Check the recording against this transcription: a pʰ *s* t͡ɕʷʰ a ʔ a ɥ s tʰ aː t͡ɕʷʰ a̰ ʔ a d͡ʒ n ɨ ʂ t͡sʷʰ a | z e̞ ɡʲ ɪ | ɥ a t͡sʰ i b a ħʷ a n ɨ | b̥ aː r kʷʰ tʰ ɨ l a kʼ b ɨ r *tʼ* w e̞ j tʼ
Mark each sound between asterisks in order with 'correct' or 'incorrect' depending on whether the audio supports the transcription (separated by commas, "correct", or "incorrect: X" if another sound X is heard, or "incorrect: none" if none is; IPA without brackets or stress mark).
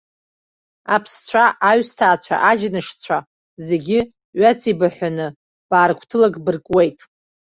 correct, incorrect: kʼ